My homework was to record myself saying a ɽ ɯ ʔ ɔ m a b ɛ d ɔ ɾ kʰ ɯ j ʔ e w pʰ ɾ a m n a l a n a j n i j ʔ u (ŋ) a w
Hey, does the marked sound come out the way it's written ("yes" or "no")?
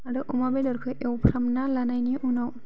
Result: no